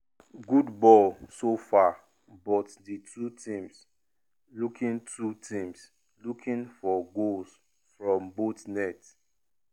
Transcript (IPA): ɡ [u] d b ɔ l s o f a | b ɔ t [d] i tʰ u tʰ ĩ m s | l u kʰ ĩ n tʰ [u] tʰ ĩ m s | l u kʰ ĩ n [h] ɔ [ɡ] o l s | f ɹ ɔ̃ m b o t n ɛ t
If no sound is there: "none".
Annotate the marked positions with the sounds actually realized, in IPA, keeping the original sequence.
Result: u, d, u, f, ɡ

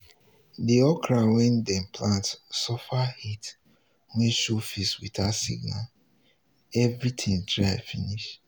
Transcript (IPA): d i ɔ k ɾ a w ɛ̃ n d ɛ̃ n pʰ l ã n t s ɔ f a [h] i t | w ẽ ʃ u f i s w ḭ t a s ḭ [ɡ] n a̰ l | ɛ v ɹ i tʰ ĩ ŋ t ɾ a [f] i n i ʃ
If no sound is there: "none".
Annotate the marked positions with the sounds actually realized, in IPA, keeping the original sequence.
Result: h, ɡ, f

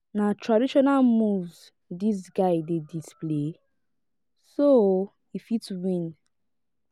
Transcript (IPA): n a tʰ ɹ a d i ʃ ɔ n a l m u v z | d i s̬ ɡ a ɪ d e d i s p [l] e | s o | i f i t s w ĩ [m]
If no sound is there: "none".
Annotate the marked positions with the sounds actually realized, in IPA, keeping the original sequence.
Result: l, n

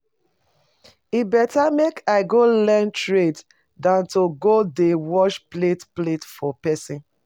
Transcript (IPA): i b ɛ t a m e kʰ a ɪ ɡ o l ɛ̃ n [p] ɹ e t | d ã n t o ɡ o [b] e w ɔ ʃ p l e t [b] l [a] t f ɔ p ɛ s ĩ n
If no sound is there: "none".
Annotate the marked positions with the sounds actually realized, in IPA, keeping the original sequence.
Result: t, d, p, e

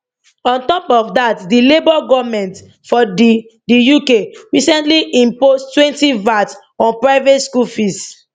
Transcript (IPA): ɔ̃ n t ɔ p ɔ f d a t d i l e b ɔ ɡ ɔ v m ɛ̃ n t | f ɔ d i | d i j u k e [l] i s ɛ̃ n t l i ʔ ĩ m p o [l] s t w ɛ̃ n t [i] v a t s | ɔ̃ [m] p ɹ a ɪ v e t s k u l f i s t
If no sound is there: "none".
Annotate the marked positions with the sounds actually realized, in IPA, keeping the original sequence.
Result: ɹ, none, i, n

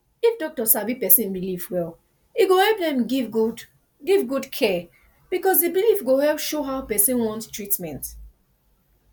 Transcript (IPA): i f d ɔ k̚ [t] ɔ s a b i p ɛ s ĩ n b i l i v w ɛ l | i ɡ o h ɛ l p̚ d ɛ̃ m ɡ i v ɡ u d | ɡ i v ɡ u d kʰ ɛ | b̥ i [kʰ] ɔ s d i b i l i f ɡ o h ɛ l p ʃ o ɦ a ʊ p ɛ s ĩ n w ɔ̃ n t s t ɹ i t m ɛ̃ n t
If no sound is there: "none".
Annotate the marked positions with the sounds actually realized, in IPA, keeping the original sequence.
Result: t, k

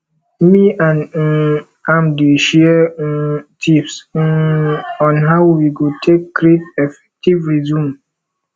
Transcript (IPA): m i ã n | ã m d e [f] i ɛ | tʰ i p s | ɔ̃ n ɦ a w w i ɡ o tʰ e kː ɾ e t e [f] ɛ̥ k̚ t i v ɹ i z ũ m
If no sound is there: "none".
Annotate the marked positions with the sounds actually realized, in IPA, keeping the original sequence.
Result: ʃ, f

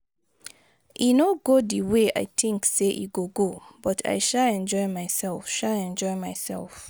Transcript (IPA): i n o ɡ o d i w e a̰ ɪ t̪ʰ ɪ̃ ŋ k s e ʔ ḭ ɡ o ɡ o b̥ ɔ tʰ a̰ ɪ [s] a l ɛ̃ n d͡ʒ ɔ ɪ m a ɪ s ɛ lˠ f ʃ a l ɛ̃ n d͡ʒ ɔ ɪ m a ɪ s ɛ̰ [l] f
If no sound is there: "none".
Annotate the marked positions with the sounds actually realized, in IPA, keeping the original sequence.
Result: ʃ, l

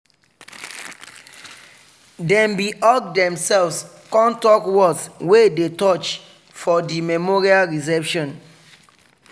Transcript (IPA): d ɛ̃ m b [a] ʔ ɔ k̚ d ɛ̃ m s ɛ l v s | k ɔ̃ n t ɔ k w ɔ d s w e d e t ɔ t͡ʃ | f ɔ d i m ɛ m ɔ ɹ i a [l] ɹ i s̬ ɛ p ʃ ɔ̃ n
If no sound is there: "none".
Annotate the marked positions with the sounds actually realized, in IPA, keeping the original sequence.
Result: i, l

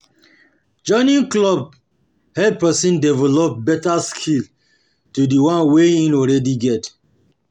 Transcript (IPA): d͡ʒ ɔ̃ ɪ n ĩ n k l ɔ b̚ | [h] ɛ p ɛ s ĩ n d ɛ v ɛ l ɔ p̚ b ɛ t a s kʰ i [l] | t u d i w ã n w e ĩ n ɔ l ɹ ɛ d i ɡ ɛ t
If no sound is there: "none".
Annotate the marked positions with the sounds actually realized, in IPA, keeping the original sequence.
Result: h, l

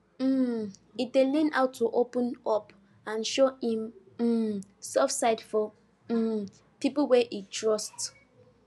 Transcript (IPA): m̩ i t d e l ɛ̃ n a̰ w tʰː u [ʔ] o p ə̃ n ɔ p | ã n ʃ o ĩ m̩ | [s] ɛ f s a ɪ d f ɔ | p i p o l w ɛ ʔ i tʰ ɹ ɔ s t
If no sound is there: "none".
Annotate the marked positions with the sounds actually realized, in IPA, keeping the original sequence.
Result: ʔ, s

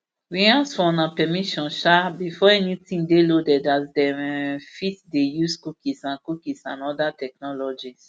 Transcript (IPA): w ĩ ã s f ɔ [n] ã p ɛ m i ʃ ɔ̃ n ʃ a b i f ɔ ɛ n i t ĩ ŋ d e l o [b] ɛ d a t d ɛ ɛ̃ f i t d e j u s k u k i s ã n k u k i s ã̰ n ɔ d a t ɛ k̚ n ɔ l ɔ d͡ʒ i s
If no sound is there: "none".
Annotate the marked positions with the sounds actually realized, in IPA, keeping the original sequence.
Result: n, d

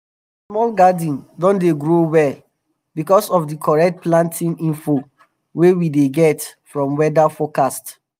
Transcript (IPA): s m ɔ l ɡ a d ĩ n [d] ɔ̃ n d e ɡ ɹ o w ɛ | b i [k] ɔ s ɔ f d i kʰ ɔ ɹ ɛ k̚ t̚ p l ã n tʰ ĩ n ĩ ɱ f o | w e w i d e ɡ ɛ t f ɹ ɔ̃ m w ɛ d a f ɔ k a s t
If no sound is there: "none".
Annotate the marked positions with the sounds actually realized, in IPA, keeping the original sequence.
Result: d, k

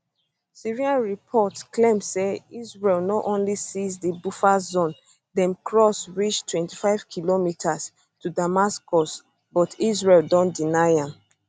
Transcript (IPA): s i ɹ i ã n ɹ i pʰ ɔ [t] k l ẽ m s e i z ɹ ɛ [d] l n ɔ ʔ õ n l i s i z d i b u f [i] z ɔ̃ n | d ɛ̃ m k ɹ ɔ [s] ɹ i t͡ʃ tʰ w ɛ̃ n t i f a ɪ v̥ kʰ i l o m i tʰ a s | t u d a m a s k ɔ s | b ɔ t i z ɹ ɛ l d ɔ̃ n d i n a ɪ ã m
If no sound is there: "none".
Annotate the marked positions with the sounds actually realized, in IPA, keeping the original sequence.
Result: t, none, a, s

